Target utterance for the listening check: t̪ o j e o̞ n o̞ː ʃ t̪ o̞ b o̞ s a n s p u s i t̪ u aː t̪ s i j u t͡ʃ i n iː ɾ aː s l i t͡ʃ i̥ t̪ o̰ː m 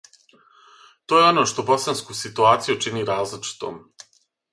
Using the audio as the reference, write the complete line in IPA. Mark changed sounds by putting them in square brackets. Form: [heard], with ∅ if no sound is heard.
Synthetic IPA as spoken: t̪ o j e o̞ n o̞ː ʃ t̪ o̞ b o̞ s a n s [k] u s i t̪ u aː t̪ s i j u t͡ʃ i n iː ɾ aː [z] l i t͡ʃ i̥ t̪ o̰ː m